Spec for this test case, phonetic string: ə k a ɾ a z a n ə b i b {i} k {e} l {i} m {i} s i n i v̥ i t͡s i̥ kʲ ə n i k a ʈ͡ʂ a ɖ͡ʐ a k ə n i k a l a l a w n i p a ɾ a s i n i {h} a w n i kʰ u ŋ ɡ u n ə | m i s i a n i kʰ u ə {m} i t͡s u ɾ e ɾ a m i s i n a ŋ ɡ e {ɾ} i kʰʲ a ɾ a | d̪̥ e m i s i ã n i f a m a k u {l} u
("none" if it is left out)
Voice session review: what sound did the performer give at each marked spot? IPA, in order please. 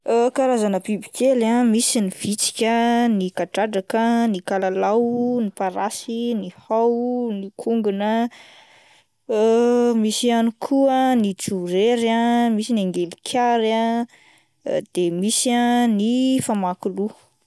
i, e, a, i, h, n, l, l

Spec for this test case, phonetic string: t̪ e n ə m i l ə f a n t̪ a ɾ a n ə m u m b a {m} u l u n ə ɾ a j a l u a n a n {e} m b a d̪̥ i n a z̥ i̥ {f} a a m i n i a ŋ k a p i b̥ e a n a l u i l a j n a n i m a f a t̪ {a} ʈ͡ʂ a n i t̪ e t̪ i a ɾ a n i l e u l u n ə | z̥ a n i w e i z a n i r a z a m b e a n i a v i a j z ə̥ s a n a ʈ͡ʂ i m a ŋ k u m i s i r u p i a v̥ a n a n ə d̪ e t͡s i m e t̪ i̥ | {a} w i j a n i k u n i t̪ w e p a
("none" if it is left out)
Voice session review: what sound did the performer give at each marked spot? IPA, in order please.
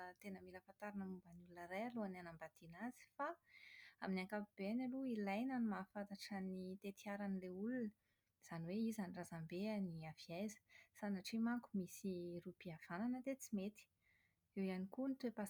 n, a, f, a, e

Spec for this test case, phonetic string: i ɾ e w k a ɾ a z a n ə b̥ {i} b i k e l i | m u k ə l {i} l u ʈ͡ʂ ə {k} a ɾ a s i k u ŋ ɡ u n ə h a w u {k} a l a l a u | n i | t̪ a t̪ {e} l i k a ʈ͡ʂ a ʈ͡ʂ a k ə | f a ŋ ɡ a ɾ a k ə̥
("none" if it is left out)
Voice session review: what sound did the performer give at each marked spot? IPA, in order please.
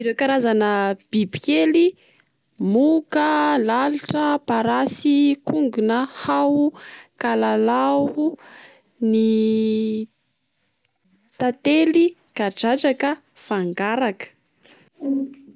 i, a, p, k, e

